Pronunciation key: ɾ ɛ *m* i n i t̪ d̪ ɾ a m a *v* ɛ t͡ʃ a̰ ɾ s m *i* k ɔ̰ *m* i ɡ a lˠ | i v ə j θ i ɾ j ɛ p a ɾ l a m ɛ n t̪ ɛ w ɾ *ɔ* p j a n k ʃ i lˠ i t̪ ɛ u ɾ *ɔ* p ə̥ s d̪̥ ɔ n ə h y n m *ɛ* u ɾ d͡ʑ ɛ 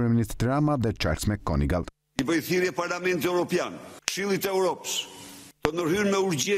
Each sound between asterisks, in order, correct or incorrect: correct, incorrect: ð, incorrect: ɛ, incorrect: n, correct, correct, correct

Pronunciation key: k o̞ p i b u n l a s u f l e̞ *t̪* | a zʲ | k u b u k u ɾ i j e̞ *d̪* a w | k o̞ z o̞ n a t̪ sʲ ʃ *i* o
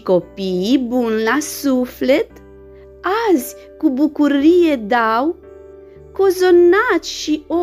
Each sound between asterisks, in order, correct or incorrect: correct, correct, correct

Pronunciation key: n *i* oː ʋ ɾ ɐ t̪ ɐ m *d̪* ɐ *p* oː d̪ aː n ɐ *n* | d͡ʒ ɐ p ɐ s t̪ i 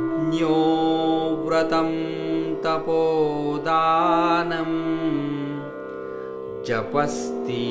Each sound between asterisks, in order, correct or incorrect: incorrect: j, incorrect: t̪, correct, incorrect: m

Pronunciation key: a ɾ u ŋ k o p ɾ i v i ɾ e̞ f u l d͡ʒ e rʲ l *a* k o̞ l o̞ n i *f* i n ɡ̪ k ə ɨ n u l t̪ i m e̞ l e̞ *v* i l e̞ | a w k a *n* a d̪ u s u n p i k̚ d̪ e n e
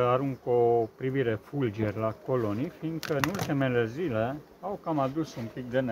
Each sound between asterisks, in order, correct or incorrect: correct, correct, incorrect: z, incorrect: m

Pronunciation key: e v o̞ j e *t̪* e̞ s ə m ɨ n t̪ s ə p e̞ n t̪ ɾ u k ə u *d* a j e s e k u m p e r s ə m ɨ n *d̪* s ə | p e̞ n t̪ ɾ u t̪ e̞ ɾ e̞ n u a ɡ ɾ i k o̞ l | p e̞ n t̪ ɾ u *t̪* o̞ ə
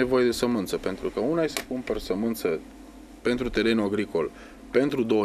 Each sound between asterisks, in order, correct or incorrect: incorrect: d̪, incorrect: n, incorrect: t̪, incorrect: d̪

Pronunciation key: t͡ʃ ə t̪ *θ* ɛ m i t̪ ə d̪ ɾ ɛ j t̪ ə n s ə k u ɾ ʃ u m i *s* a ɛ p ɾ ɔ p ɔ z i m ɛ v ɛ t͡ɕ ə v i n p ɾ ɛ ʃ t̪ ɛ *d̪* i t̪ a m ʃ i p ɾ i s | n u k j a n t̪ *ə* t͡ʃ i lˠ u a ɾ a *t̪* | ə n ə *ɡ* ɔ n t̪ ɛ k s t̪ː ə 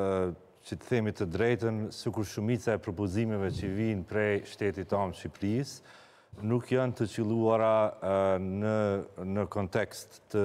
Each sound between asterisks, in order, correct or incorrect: correct, incorrect: t͡s, incorrect: t̪, correct, incorrect: none, incorrect: k

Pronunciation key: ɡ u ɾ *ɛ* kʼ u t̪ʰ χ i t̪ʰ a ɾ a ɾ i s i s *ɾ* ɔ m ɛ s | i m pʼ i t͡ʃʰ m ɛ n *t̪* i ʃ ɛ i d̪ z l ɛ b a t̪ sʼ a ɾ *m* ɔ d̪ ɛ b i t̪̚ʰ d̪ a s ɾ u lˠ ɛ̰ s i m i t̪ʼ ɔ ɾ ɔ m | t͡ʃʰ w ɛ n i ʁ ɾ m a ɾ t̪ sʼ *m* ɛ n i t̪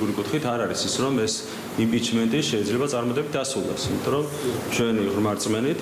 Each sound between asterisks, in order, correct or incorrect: incorrect: i, correct, incorrect: t̪ʼ, correct, correct

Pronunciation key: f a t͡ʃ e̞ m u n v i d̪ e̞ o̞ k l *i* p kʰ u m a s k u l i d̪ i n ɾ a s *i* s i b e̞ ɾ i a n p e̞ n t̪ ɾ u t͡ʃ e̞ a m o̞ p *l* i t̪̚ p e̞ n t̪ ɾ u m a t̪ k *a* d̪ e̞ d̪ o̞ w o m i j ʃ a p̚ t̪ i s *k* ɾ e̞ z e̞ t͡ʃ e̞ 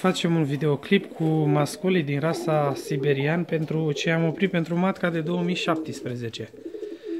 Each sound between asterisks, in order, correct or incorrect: correct, incorrect: a, incorrect: ɾ, correct, incorrect: p

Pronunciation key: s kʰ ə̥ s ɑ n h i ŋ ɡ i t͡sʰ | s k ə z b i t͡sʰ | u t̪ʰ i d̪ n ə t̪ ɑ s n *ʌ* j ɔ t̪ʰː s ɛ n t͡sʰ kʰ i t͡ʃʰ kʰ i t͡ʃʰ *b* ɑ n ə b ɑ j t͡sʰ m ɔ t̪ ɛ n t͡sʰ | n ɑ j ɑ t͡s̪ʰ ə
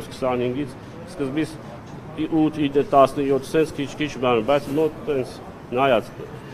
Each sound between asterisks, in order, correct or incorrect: incorrect: ə, correct

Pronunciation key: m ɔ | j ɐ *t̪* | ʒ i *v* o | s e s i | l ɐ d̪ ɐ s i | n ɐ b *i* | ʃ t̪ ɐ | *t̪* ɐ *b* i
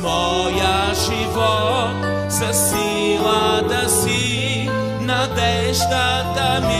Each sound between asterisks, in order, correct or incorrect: incorrect: none, correct, incorrect: ɛ, incorrect: d̪, incorrect: m

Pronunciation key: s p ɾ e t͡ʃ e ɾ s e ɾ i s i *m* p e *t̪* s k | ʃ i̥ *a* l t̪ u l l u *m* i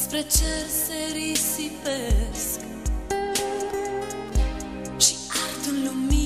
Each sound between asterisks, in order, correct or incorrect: incorrect: none, incorrect: none, correct, correct

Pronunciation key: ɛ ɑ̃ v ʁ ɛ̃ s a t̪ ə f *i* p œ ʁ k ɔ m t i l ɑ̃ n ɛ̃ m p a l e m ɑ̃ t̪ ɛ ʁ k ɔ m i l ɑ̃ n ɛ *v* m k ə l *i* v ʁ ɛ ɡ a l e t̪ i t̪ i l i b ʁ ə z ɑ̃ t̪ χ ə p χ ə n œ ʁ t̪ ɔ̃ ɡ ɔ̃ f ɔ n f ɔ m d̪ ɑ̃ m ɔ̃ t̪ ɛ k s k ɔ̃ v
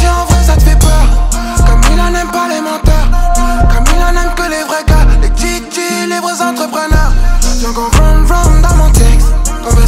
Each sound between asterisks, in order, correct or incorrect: incorrect: ɛ, incorrect: none, incorrect: e

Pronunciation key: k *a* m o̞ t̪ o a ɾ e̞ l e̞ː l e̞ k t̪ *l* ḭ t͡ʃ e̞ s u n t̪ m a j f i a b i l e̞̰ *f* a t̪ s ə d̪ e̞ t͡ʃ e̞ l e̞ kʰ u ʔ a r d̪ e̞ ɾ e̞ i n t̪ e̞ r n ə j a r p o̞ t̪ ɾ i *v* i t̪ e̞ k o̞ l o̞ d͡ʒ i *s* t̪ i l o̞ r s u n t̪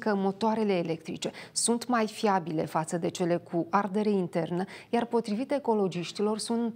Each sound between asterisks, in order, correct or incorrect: incorrect: ə, incorrect: ɾ, correct, correct, incorrect: ʃ

